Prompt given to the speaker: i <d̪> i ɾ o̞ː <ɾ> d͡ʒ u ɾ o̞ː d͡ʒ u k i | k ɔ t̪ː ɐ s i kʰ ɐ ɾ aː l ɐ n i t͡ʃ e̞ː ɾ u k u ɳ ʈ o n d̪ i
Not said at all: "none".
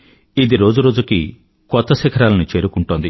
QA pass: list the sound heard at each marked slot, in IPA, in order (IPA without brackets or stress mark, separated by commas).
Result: d̪, none